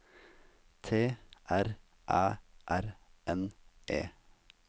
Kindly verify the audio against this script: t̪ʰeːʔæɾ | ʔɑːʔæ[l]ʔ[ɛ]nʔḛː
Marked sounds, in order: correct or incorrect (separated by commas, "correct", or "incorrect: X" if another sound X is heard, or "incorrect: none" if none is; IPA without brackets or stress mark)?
incorrect: ɾ, correct